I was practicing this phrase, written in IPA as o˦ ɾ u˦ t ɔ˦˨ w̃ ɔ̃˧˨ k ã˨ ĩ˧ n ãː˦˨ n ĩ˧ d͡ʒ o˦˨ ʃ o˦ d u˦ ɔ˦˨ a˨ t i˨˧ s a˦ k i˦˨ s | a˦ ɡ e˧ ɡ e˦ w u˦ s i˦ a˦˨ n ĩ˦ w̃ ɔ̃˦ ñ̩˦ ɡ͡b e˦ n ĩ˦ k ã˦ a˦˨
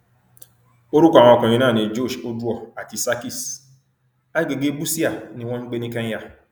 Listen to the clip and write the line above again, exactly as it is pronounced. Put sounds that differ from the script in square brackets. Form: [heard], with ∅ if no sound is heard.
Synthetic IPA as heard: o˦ ɾ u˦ [k] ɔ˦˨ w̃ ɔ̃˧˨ k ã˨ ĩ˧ n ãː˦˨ n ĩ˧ d͡ʒ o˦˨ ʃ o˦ d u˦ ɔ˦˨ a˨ t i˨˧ s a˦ k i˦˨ s | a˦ ɡ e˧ ɡ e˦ [b] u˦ s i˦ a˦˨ n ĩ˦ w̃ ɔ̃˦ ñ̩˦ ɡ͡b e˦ n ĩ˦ k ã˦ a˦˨

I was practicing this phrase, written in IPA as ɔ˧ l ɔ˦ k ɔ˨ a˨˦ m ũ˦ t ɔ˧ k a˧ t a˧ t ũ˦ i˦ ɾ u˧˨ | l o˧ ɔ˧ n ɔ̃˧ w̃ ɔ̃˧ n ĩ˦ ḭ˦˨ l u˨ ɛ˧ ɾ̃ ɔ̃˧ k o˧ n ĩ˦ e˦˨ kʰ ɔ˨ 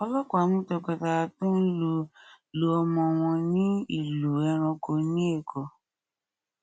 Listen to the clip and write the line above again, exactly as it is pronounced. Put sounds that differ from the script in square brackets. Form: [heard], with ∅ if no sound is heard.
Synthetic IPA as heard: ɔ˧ l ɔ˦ k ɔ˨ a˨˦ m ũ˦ t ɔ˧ k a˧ t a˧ t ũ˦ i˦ [l] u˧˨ | l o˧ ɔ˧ [m] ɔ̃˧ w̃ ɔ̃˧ n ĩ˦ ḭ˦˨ l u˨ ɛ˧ ɾ̃ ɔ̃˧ k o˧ n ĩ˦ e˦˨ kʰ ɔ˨

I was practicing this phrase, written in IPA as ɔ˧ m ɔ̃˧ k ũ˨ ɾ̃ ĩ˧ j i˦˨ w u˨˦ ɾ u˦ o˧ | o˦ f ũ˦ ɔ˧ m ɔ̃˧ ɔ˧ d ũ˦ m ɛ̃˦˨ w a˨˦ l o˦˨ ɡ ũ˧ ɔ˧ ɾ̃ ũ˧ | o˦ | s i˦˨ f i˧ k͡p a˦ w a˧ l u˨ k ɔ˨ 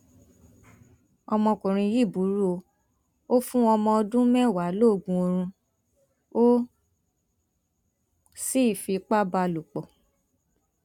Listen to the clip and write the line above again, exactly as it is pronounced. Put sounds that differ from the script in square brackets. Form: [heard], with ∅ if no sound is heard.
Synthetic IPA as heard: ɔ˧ m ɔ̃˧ k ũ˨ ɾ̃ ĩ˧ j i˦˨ [b] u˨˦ ɾ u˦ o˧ | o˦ f ũ˦ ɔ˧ m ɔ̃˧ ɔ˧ d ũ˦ m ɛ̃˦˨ w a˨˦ l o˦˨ ɡ ũ˧ [o˧] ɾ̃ ũ˧ | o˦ | s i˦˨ f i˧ k͡p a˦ [b] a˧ l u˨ [k͡p] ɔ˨

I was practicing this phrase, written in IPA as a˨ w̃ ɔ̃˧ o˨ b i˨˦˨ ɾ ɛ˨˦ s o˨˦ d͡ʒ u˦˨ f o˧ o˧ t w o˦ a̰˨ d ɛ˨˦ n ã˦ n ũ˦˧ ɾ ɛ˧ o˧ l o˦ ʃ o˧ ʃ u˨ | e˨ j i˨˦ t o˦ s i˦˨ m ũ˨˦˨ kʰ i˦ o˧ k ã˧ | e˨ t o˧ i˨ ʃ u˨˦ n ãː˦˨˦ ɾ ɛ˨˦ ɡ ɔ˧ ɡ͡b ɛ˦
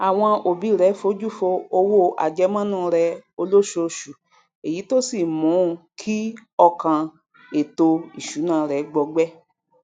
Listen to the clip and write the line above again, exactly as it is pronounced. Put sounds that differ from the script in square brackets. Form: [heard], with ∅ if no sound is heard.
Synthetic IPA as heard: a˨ w̃ ɔ̃˧ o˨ b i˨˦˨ ɾ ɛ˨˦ [f] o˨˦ d͡ʒ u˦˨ f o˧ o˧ [∅] w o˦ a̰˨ [d͡ʒ] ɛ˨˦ [m] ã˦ n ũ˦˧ ɾ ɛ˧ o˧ l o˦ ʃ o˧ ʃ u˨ | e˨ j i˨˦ t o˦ s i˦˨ m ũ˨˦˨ kʰ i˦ [ɔ˧] k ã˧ | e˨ t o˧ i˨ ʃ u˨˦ n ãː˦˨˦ ɾ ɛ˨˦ [ɡ͡b] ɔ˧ ɡ͡b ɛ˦

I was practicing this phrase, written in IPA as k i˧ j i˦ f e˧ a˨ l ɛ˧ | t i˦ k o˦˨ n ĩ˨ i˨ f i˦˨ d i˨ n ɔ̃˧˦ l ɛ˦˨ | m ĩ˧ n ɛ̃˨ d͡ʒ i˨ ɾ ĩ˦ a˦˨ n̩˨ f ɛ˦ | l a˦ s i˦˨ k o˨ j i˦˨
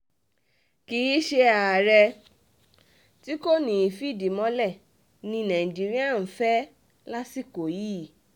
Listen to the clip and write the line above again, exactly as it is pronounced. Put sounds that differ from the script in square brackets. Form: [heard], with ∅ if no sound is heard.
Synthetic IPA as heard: k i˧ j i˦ [ʃ] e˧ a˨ [ɾ] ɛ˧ | t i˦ k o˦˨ n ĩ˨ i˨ f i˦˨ d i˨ [m] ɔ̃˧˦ l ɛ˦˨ | [n] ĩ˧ n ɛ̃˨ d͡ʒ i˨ ɾ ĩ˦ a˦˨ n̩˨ f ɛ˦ | l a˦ s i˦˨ k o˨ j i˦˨

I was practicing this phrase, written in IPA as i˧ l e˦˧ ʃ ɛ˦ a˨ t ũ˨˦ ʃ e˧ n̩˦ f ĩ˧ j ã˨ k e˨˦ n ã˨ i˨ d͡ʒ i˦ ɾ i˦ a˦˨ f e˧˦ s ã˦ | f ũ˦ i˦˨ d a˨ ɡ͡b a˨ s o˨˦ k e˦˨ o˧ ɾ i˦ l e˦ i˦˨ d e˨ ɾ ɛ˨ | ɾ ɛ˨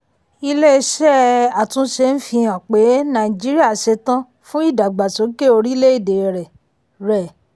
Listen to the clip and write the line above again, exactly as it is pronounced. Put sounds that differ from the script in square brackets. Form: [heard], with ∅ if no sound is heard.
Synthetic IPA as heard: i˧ l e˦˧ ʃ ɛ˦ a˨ t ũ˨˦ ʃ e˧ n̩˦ f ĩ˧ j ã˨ [k͡p] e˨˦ n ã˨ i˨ d͡ʒ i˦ ɾ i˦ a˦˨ [ʃ] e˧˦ [t] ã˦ | f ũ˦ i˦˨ d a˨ ɡ͡b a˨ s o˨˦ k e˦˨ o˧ ɾ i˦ l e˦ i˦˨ d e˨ ɾ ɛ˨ | ɾ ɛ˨

